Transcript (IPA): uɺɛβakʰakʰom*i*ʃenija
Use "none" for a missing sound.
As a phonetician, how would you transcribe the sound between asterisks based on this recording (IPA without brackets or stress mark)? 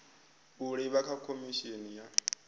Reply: i